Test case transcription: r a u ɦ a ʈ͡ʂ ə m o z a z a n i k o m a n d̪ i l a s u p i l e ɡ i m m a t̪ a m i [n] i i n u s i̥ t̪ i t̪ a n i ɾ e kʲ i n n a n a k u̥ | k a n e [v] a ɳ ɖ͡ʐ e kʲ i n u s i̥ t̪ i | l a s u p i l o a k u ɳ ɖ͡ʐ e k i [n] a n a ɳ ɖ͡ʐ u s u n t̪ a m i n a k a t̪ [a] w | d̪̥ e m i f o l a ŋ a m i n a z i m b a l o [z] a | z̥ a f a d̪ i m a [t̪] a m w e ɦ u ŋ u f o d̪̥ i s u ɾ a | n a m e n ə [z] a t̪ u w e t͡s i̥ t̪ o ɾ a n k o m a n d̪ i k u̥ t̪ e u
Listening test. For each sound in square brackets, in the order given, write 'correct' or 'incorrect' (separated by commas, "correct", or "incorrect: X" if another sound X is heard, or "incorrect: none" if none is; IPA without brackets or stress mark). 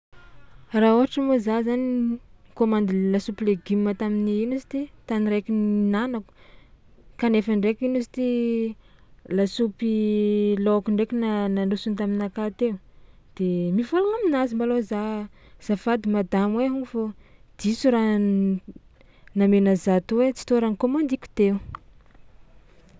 correct, incorrect: f, correct, incorrect: e, correct, incorrect: d̪, correct